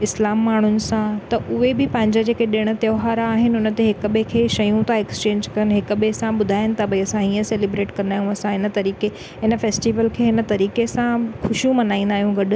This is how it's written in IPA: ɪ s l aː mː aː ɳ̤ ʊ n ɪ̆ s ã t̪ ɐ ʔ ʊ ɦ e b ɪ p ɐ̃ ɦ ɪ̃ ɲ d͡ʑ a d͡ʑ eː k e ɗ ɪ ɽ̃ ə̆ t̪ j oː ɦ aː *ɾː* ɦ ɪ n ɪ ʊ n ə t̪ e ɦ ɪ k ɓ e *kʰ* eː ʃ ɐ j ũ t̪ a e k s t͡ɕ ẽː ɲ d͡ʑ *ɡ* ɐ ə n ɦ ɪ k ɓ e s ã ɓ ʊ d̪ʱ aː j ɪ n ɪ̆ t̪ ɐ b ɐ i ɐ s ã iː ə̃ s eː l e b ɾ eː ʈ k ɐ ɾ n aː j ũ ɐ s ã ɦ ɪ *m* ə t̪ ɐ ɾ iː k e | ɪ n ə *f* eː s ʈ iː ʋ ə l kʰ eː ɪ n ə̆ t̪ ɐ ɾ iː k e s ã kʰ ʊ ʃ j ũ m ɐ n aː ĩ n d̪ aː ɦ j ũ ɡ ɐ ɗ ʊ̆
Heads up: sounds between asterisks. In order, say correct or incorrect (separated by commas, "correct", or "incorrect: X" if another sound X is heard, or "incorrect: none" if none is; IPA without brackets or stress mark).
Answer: correct, correct, incorrect: k, incorrect: n, correct